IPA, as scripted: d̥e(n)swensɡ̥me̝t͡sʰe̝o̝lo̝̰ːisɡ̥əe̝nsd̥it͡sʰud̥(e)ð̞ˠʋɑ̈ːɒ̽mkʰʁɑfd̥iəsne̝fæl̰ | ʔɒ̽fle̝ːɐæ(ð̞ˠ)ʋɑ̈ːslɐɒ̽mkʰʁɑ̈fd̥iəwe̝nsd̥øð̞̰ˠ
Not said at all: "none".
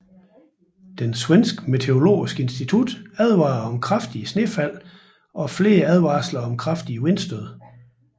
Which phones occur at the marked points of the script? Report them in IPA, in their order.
n, æ, ð̞ˠ

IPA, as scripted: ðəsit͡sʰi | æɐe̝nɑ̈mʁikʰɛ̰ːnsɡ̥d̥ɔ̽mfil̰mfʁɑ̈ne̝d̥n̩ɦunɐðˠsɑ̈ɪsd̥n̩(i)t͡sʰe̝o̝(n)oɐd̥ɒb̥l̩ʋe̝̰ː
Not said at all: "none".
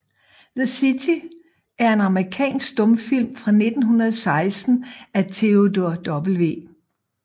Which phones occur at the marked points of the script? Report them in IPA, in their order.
æ, d

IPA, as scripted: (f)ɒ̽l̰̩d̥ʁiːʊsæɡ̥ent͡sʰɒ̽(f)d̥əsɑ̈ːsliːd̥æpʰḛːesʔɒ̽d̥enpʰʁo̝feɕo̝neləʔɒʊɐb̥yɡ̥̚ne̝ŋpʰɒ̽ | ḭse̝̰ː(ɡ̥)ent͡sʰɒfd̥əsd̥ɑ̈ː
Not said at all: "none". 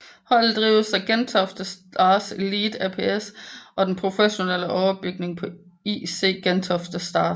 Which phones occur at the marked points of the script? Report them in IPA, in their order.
h, f, ɡ̥

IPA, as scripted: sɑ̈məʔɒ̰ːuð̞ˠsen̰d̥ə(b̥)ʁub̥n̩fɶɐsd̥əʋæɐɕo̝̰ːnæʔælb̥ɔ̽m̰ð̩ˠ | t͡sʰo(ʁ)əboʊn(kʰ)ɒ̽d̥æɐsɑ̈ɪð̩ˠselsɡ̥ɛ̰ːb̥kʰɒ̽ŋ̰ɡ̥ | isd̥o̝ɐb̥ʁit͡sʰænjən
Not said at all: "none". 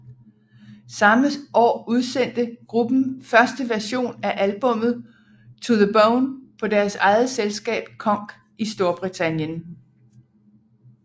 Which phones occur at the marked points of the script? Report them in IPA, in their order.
ɡ̥, ð, pʰ

